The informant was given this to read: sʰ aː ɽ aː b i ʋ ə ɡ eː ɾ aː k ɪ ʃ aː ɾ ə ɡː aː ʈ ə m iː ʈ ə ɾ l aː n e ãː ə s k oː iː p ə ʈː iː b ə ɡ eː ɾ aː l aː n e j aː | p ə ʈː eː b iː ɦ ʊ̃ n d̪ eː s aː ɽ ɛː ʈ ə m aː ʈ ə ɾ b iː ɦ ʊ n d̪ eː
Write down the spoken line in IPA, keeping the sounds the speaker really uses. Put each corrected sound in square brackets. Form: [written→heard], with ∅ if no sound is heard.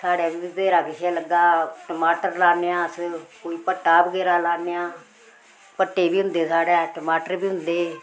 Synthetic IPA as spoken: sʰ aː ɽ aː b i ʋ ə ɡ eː ɾ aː k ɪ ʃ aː [ɾ→l] ə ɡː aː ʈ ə m [iː→aː] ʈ ə ɾ l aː n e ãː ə s k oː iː p ə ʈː [iː→aː] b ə ɡ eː ɾ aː l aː n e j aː | p ə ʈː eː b iː ɦ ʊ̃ n d̪ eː s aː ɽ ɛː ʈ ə m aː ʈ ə ɾ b iː ɦ ʊ n d̪ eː